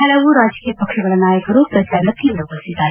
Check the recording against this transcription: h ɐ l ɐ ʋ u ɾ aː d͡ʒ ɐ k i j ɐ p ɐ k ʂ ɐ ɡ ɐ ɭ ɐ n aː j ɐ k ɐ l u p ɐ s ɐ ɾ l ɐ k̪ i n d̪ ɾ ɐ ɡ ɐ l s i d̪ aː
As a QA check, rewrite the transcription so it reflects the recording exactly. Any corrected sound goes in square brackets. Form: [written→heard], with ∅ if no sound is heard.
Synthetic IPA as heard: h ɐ l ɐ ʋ u ɾ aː d͡ʒ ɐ k i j ɐ p ɐ k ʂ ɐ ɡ ɐ ɭ ɐ n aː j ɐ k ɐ [l→ɾ] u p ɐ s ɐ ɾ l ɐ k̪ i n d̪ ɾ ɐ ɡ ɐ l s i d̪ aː